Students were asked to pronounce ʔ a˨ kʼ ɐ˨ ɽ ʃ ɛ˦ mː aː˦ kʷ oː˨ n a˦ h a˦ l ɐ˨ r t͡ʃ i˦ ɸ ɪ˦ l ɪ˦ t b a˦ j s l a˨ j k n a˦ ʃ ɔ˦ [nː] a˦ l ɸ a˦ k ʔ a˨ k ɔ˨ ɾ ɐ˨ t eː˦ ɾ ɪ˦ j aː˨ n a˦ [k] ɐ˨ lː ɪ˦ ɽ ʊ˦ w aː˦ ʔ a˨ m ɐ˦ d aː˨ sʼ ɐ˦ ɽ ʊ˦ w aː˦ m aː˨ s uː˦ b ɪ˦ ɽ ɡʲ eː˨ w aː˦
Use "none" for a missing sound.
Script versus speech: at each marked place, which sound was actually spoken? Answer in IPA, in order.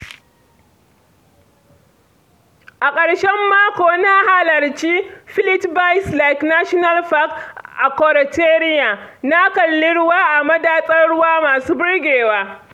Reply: n, k

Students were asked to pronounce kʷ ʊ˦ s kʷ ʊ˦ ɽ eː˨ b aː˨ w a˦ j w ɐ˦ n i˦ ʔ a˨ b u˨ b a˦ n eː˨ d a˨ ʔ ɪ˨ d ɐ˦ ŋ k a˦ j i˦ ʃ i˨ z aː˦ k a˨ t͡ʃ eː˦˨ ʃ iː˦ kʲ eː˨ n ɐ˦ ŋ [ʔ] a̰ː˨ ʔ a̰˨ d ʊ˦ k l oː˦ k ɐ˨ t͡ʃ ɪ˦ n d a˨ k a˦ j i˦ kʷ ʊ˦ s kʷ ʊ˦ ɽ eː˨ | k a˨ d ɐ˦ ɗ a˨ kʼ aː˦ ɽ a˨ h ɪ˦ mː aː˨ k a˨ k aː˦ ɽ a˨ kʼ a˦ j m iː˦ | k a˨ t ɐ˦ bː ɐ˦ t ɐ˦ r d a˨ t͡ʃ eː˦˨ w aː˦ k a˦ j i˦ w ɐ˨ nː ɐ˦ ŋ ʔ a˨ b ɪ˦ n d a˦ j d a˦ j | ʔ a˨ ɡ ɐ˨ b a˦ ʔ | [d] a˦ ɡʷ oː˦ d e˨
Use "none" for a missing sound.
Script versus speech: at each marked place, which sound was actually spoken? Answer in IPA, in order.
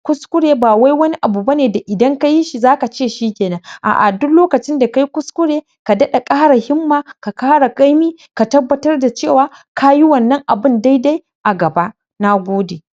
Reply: ʔ, n

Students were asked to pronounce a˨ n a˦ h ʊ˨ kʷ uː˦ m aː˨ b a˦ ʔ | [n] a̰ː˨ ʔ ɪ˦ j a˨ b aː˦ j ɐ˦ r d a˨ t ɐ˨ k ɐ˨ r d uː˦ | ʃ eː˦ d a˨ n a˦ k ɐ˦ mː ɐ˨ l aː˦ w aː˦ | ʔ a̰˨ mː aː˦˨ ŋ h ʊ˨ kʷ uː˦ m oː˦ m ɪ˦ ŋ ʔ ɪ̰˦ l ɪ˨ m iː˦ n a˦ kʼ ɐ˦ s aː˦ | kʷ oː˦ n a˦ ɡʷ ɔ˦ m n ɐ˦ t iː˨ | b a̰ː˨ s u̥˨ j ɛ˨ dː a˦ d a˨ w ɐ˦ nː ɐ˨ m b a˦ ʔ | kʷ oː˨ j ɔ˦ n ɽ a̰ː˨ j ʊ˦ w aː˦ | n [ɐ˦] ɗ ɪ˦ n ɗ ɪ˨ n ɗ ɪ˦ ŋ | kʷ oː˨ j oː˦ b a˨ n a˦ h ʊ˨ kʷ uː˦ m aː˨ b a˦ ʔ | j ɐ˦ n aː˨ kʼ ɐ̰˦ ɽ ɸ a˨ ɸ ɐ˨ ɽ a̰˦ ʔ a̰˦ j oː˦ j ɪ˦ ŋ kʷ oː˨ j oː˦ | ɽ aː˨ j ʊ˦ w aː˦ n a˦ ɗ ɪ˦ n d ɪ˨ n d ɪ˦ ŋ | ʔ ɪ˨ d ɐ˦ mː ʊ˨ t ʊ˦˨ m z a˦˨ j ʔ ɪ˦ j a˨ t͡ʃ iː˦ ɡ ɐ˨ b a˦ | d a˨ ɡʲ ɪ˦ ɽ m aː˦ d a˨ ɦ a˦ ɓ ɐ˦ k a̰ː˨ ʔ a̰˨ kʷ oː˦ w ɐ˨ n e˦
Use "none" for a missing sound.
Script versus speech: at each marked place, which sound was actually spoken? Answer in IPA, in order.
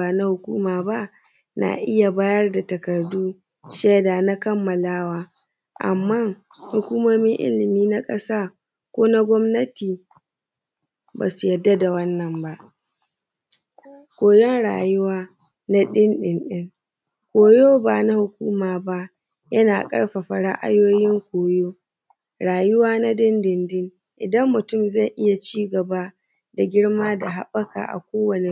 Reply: n, a˦

